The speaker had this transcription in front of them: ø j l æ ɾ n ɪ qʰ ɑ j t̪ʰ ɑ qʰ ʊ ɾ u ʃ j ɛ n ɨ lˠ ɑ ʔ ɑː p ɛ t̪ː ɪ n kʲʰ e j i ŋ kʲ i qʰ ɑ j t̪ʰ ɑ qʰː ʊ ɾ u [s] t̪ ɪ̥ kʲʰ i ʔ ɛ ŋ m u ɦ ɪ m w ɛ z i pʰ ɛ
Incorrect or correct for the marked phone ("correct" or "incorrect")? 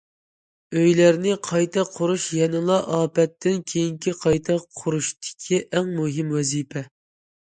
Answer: incorrect